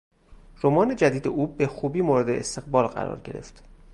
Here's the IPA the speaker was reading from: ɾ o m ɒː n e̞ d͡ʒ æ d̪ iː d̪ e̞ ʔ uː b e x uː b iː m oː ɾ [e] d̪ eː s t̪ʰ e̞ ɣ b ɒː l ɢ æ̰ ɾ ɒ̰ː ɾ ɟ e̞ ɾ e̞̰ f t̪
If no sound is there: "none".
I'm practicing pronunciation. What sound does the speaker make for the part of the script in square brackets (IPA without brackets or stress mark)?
e